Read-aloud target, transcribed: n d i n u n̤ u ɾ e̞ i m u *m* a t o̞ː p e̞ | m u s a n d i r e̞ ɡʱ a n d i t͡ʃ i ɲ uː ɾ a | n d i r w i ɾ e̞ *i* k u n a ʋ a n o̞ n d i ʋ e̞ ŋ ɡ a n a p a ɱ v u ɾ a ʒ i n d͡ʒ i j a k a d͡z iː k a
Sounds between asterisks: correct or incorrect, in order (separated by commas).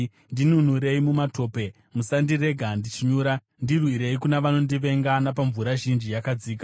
correct, correct